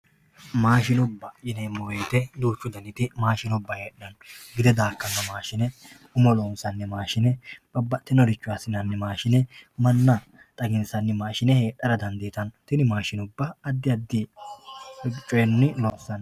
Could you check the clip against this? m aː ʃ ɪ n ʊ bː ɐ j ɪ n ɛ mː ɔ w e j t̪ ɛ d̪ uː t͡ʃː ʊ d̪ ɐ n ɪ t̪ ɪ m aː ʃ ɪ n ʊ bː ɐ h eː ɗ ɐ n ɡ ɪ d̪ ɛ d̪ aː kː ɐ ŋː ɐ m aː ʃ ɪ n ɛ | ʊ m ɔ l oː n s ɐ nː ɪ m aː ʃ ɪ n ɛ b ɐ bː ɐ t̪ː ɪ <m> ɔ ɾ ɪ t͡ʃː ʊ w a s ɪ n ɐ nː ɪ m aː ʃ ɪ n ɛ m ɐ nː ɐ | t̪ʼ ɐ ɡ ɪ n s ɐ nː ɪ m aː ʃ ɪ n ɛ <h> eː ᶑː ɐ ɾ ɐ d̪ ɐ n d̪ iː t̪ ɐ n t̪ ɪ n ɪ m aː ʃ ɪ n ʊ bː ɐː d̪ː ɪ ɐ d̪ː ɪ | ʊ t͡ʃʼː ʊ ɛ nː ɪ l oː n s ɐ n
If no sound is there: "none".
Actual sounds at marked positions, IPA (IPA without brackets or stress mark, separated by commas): n, h